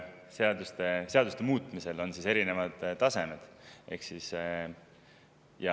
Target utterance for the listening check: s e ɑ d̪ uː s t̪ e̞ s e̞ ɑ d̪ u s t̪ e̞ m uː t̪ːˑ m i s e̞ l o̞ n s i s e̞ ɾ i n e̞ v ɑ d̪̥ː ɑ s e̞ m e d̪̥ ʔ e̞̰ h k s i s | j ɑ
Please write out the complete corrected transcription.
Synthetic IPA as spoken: s e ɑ d̪ u s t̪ e̞ s e̞ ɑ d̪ u s t̪ e̞ m uː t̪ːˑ m i s e̞ l o̞ n s i s e̞ ɾ i n e̞ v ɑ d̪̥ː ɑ s e̞ m e d̪̥ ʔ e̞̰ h k s i s | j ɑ

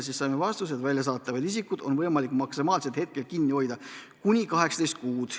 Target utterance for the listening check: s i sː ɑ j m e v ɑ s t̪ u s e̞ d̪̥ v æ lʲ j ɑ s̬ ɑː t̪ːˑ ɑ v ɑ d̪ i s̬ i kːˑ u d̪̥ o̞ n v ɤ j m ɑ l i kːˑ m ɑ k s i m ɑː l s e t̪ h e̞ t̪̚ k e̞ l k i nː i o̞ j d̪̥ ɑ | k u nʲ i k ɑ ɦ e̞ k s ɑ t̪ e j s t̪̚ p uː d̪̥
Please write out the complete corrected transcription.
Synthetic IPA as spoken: s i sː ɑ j m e v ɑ s t̪ u s e̞ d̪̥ v æ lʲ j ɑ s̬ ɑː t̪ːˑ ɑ v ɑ d̪ i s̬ i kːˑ u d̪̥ o̞ n v ɤ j m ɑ l i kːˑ m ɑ k s i m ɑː l s e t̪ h e̞ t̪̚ k e̞ l k i nː i o̞ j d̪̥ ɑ | k u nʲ i k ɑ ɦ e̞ k s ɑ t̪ e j s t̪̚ k uː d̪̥

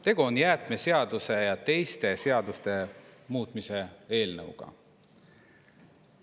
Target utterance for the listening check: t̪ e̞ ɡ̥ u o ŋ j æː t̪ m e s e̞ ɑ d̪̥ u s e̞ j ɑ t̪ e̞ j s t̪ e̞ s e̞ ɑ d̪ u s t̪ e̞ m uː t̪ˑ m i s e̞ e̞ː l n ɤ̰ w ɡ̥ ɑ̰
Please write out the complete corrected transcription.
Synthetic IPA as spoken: t̪ e̞ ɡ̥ u o n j æː t̪ m e s e̞ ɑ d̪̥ u s e̞ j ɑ t̪ e̞ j s t̪ e̞ s e̞ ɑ d̪ u s t̪ e̞ m uː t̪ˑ m i s e̞ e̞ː l n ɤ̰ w ɡ̥ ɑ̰

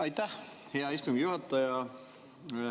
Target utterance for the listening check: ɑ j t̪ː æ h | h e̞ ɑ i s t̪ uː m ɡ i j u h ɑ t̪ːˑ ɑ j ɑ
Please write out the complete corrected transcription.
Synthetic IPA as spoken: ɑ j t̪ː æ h | h e̞ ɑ i s t̪ u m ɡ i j u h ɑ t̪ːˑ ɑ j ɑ

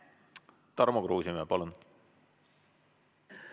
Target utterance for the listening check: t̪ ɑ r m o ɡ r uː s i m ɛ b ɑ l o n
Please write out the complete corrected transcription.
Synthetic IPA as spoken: t̪ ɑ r m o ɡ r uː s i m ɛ p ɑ l u n

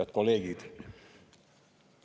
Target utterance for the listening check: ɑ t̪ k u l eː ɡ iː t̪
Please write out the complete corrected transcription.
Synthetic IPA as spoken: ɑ t̪ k o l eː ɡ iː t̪

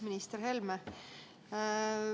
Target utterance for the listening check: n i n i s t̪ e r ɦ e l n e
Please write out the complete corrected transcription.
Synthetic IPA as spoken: m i n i s t̪ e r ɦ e l m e

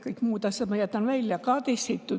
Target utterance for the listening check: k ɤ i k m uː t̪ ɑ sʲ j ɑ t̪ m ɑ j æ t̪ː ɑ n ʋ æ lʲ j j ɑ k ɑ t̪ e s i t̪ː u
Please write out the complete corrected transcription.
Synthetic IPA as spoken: k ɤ i k m uː t̪ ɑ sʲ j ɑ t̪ m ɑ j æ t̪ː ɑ n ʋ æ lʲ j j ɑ k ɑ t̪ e s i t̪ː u

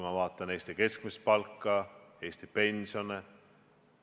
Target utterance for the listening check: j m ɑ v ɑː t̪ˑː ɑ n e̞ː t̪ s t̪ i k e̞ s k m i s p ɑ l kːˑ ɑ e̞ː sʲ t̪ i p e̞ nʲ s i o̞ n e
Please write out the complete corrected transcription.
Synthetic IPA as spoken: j m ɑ v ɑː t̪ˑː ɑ n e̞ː s t̪ i k e̞ s k m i s p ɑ l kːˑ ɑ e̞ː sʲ t̪ i p e̞ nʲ s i o̞ n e

